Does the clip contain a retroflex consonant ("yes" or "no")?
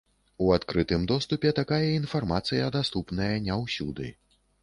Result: no